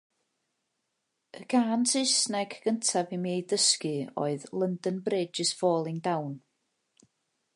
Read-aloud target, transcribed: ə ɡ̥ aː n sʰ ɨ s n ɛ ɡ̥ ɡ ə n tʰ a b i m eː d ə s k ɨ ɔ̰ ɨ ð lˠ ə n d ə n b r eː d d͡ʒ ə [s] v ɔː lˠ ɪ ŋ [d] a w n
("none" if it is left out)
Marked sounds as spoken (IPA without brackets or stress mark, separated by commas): s, d